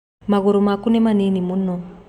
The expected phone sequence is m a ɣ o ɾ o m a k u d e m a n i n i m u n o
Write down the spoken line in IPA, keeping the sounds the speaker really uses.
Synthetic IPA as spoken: m a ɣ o ɾ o m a k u n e m a n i n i m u n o